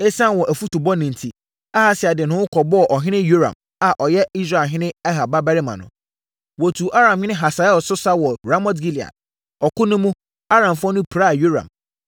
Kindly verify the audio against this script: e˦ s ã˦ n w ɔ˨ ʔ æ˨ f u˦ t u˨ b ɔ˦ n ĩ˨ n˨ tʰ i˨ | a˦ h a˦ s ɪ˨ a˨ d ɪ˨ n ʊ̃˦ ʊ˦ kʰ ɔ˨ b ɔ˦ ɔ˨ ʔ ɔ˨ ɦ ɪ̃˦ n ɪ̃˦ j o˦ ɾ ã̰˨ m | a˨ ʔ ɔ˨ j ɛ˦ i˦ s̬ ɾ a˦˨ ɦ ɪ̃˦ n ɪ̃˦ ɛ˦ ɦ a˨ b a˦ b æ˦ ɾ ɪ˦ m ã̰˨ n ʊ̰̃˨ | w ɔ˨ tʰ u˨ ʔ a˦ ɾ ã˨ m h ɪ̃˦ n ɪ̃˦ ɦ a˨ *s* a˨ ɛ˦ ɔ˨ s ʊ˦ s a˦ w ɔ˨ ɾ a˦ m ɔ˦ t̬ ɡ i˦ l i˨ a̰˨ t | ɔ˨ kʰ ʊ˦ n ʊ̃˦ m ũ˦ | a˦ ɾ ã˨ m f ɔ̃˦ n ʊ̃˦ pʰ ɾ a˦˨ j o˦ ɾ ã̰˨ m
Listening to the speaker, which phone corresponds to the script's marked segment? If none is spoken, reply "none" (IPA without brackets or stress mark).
s